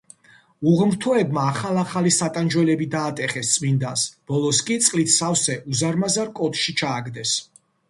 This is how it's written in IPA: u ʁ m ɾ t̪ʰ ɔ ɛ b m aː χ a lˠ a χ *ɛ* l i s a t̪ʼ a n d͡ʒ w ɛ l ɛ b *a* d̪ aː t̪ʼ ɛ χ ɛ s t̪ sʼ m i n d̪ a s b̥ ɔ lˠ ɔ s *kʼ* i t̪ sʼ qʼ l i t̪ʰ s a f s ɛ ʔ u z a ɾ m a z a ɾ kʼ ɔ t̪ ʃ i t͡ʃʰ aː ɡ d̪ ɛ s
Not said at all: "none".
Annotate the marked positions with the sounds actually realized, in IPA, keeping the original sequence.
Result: a, i, kʼ

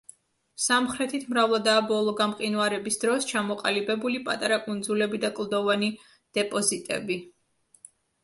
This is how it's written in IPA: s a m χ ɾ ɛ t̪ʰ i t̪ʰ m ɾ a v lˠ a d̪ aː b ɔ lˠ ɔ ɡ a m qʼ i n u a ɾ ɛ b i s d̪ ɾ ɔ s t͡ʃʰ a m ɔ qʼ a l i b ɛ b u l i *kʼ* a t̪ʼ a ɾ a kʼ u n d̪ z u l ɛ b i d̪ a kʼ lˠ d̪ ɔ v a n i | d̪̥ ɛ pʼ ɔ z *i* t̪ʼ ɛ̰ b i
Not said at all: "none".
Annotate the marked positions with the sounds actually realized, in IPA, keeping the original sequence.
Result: pʼ, i

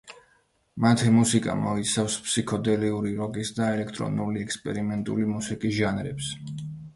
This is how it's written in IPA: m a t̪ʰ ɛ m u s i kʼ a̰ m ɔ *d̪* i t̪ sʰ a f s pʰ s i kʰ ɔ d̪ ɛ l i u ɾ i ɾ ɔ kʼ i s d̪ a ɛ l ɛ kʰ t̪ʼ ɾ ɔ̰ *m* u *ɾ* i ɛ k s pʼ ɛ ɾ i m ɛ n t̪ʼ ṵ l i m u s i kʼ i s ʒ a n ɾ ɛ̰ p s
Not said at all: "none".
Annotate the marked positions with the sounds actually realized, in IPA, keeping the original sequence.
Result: none, n, l

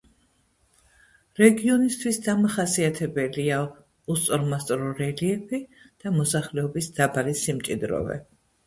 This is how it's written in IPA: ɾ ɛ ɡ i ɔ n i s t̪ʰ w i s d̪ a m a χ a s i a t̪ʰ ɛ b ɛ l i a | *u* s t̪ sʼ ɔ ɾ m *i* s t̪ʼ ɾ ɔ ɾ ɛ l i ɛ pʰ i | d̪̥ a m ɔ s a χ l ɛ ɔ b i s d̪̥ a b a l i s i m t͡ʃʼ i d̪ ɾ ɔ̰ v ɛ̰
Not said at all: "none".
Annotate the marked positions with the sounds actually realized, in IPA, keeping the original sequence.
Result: u, a

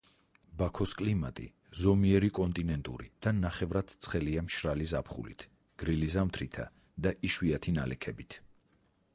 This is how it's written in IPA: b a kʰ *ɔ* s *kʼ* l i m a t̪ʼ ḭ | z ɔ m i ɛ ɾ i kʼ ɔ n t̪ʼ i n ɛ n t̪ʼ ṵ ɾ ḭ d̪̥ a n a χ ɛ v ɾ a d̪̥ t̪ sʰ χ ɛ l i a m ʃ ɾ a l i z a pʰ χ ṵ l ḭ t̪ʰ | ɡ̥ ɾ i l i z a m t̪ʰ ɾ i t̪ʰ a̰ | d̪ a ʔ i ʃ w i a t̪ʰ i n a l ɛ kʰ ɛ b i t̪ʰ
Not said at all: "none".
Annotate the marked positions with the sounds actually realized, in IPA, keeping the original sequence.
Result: ɔ, kʼ

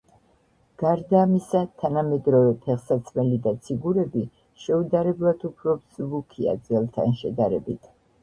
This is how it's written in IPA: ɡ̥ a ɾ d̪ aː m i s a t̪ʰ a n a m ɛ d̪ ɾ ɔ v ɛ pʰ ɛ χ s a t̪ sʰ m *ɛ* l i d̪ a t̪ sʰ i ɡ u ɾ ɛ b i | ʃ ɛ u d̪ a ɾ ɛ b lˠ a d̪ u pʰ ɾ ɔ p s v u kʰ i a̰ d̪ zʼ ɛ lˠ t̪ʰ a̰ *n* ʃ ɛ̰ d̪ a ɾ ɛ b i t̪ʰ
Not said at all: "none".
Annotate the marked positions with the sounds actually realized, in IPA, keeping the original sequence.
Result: ɛ, n

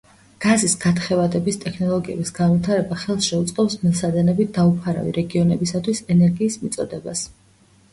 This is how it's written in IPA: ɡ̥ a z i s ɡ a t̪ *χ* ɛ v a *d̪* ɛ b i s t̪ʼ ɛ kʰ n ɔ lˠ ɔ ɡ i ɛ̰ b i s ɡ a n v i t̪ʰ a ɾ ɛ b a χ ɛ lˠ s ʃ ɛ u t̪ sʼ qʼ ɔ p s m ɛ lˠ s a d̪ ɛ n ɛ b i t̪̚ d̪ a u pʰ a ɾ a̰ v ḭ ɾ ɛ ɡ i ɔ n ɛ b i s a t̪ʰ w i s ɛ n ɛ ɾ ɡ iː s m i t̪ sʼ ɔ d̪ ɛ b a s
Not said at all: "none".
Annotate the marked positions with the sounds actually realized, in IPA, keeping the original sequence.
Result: χ, d̪

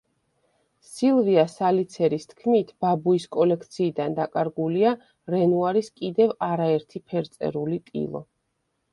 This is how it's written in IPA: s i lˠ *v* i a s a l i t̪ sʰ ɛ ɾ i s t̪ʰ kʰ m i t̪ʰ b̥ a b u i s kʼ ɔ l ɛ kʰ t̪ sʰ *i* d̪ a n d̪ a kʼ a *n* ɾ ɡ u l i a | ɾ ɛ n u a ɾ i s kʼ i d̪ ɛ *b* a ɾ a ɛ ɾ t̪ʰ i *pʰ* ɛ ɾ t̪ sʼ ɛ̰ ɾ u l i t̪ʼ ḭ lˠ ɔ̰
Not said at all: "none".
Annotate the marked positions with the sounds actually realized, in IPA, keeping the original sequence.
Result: v, iː, none, v, pʰ

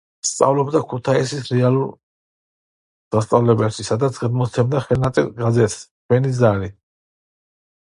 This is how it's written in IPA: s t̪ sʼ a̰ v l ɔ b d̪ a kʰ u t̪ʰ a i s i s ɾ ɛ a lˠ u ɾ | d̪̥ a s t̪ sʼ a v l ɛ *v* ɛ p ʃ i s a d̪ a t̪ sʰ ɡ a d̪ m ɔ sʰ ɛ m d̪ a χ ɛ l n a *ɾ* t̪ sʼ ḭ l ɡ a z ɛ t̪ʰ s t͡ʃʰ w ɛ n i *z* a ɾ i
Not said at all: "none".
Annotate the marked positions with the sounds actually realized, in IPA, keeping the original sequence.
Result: b, none, z

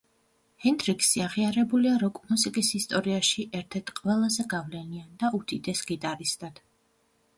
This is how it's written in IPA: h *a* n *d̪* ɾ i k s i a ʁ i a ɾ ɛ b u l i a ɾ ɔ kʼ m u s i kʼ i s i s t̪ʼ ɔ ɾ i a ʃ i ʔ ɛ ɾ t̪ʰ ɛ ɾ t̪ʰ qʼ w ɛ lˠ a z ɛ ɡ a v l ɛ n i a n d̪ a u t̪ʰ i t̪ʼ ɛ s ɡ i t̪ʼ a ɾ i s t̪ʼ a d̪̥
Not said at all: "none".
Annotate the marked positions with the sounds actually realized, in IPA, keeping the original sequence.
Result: ɛ, d̪

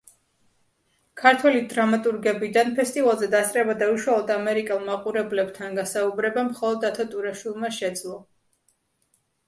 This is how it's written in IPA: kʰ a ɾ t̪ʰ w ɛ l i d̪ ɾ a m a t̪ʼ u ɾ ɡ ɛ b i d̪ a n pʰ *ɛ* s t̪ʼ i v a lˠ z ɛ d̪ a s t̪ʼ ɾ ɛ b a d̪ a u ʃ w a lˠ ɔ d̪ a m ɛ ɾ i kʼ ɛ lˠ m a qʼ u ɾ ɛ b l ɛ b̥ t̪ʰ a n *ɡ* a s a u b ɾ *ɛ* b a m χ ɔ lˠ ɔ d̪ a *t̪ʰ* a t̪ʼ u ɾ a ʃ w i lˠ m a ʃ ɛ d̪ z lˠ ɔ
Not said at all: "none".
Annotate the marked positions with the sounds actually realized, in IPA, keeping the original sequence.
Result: ɛ, ɡ, ɛ, t̪ʰ

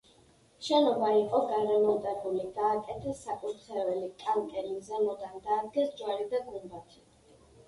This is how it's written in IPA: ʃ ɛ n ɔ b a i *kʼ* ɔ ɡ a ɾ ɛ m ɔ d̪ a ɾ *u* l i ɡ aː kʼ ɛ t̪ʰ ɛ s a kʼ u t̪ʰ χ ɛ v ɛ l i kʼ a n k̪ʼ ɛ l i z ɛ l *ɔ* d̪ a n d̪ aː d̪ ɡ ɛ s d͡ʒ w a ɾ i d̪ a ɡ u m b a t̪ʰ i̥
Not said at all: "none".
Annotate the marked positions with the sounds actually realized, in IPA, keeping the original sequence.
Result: qʼ, u, ɔ

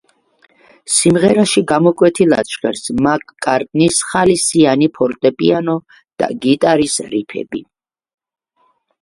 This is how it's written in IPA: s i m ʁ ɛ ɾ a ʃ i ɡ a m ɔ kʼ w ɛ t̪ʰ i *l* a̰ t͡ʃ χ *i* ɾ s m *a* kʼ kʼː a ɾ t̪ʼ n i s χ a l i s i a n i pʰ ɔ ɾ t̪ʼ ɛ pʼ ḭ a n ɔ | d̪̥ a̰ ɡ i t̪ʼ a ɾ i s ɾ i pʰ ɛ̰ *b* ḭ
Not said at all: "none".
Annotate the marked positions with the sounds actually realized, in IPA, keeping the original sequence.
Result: l, ɛ, a, b

